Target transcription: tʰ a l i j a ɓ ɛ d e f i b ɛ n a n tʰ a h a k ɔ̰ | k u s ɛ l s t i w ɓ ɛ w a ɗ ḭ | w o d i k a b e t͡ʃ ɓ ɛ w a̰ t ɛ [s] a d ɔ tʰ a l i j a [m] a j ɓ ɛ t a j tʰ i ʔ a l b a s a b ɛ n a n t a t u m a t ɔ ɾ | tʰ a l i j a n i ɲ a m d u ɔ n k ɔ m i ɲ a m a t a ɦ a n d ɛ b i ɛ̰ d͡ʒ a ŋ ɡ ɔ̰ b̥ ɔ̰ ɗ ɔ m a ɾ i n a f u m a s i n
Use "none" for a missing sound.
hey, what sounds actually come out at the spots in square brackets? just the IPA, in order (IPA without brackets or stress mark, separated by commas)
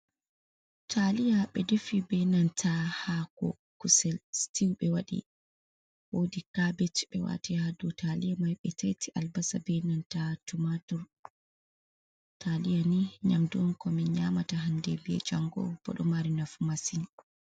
h, m